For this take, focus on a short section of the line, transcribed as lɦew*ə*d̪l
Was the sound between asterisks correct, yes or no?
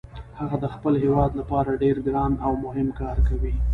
no